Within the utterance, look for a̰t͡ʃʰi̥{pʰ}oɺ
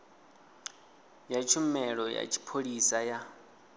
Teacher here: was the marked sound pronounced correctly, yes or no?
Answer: yes